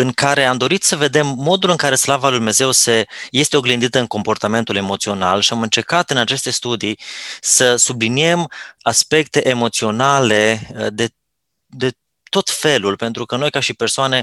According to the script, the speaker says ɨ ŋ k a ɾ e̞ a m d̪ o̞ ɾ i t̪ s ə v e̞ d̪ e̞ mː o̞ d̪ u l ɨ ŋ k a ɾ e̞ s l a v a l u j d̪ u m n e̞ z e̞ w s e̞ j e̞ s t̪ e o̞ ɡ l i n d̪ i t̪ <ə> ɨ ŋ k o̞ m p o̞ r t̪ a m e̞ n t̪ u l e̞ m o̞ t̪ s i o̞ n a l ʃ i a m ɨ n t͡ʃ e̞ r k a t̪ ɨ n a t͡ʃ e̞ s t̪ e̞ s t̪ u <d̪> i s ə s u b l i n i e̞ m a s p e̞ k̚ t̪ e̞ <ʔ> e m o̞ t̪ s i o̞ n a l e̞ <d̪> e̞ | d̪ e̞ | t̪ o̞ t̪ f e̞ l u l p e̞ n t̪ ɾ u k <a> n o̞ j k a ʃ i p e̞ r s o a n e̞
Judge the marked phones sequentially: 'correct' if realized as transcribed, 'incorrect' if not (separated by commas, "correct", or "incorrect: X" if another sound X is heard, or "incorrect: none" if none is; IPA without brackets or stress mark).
correct, correct, correct, correct, incorrect: ə